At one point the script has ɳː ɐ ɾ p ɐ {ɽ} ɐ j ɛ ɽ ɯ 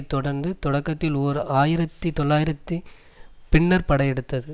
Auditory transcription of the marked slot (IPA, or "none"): ɽ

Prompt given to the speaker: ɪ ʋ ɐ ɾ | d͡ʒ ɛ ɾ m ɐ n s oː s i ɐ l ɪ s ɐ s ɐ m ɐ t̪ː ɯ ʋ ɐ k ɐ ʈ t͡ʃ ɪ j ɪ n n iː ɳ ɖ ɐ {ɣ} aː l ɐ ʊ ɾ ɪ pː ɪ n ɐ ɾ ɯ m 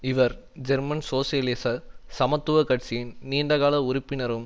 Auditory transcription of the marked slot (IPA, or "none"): ɣ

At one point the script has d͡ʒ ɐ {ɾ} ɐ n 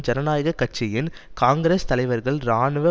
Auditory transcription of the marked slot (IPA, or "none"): ɾ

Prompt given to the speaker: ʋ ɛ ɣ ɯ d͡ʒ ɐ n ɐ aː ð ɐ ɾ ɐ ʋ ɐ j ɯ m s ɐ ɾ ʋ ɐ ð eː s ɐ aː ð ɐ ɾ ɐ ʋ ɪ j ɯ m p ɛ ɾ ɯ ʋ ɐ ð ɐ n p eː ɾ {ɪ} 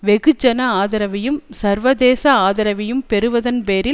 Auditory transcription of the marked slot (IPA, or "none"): ɪ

